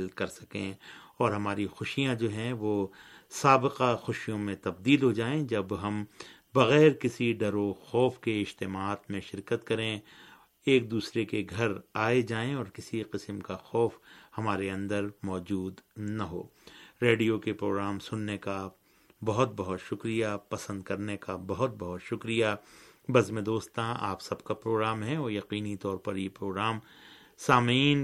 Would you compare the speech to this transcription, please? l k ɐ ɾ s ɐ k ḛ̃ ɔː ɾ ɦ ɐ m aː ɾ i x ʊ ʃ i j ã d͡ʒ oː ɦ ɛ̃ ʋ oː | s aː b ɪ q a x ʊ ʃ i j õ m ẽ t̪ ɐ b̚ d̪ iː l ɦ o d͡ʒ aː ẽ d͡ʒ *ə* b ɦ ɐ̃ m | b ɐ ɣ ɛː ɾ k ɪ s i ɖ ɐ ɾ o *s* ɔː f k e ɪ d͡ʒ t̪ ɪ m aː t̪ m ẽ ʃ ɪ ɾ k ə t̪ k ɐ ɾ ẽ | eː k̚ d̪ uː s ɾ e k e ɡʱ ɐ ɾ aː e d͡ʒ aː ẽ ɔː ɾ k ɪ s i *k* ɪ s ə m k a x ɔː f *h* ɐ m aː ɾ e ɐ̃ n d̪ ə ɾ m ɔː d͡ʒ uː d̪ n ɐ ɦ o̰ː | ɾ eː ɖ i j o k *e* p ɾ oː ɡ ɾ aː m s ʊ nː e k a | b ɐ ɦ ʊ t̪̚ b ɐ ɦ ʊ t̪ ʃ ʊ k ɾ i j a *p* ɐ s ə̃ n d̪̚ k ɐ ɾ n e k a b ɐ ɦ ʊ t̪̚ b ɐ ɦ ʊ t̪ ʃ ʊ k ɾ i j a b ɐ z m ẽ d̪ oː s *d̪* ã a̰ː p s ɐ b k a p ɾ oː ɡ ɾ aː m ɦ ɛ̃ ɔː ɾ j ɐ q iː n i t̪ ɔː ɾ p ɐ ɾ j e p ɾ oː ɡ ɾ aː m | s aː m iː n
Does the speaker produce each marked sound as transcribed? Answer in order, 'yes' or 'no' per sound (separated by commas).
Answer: no, no, no, yes, yes, yes, no